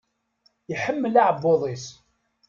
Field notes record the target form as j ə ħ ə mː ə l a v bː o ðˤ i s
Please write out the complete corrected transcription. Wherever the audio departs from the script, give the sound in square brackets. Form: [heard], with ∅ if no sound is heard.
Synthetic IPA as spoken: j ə ħ ə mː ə l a [ʕ] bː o ðˤ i s